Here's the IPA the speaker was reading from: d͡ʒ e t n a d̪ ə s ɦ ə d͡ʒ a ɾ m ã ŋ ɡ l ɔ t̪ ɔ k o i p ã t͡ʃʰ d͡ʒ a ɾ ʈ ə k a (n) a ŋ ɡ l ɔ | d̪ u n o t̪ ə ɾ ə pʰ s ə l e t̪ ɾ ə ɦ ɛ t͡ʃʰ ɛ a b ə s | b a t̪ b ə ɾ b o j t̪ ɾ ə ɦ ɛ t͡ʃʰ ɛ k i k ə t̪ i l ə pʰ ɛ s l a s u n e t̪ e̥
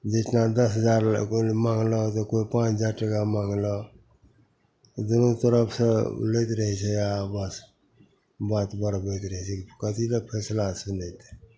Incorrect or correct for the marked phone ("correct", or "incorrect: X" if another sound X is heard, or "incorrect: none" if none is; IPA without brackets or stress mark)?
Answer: incorrect: m